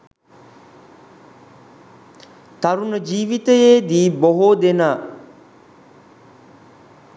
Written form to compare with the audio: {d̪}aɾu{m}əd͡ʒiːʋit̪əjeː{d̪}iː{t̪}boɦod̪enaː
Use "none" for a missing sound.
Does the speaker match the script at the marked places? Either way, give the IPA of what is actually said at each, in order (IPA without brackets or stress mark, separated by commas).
t̪, n, d̪, none